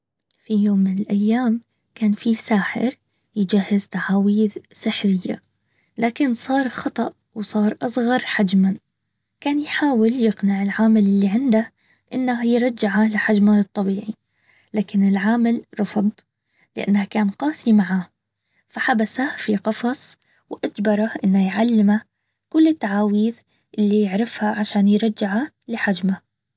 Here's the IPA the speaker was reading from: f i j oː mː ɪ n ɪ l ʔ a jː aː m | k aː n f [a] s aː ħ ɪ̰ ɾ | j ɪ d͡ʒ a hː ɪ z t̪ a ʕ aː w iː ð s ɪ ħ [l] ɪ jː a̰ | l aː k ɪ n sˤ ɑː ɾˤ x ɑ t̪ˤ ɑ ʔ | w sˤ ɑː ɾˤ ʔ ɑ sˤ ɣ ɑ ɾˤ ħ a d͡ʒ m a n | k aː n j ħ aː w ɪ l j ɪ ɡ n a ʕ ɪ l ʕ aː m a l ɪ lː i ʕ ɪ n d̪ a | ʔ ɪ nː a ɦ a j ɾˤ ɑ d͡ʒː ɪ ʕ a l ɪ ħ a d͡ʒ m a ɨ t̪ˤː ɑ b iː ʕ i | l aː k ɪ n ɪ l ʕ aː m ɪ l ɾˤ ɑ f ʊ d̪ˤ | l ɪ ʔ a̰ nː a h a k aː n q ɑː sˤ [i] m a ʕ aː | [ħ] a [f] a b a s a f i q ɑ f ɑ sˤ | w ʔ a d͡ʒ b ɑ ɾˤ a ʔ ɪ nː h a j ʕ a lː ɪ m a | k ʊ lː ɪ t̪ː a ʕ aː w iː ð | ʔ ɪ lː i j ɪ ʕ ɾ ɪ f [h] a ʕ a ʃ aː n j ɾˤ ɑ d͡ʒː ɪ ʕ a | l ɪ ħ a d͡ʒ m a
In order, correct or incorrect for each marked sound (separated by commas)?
incorrect, incorrect, correct, incorrect, incorrect, correct